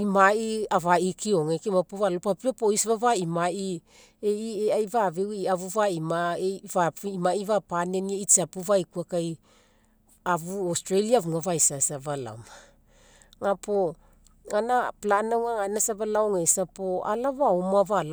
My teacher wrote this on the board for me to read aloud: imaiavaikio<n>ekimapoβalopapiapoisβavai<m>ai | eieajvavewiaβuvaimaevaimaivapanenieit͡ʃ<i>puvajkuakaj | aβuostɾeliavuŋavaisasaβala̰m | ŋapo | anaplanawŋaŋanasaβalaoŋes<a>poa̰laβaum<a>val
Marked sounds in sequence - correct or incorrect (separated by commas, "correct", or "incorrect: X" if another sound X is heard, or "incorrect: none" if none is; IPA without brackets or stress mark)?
incorrect: ŋ, correct, incorrect: a, correct, correct